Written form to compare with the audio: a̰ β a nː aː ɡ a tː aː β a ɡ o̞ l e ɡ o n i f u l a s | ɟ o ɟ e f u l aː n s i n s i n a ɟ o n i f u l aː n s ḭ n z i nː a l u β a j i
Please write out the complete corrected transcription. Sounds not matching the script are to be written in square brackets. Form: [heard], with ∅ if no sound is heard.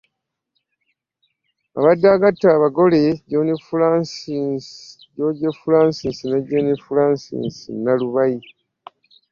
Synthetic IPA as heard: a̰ β a [dː] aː ɡ a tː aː β a ɡ o̞ l e [ɟ] o n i f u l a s | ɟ o ɟ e f u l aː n s i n s i n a ɟ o n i f u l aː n s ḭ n [s] i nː a l u β a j i

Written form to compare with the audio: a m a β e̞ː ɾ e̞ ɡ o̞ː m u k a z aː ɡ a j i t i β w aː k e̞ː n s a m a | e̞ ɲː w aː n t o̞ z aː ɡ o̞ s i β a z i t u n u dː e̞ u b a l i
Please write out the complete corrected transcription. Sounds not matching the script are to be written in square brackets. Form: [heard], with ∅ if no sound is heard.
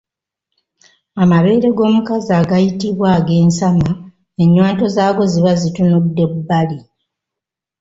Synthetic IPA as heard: a m a β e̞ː ɾ e̞ ɡ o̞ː m u k a z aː ɡ a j i t i β w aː [ɡ] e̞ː n s a m a | e̞ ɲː w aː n t o̞ z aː ɡ o̞ [z] i β a z i t u n u dː e̞ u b a l i

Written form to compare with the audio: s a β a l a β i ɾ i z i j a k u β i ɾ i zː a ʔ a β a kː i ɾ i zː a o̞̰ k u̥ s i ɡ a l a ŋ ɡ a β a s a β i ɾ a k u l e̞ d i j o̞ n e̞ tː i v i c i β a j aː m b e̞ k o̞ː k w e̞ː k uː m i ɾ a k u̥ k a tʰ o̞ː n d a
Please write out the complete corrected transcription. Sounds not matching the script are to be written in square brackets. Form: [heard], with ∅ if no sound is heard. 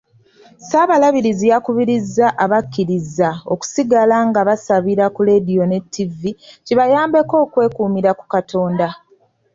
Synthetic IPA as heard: s a β a l a β i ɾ i z i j a k u β i ɾ i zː a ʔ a β a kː i ɾ i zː a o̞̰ k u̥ s i ɡ a l a ŋ ɡ a β a s a β i ɾ a k u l e̞ d i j o̞ n e̞ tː i v i c i β a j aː m b e̞ k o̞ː k w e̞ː k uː m i ɾ a k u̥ k a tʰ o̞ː n d a

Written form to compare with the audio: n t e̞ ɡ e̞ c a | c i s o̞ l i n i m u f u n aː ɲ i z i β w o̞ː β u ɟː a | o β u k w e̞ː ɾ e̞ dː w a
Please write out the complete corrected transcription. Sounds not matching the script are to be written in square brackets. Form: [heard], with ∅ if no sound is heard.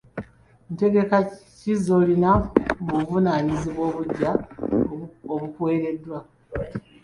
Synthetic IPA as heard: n t e̞ ɡ e̞ [k] a | c i [z] o̞ l i n [a] m u [v] u n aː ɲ i z i β w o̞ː β u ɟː a | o β u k w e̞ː ɾ e̞ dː w a

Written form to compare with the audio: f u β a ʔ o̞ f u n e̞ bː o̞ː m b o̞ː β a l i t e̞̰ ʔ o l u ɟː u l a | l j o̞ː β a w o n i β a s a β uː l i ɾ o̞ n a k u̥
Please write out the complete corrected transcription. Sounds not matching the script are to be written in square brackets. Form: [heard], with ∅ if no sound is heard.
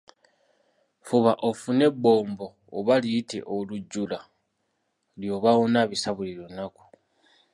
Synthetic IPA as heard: f u β a ʔ o̞ f u n e̞ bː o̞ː m b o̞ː β a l i t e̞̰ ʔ o l u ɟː u l a | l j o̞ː β a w o n [a] β [i] s a β [u] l i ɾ o̞ n a k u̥

